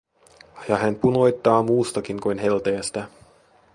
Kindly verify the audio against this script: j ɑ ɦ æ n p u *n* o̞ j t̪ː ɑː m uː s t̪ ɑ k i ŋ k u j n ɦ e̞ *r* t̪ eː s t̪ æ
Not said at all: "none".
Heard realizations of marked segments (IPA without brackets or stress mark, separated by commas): n, l